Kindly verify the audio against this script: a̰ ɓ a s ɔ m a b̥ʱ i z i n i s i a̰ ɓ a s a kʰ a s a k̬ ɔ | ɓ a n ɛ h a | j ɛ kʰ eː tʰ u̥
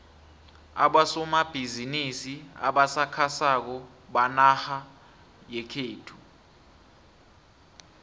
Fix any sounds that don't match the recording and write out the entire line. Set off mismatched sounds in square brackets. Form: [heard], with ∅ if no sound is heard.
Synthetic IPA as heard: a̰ ɓ a s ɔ m a b̥ʱ i z i n i s i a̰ ɓ a s a kʰ a s a k̬ ɔ | ɓ a n [a] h a | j ɛ kʰ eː tʰ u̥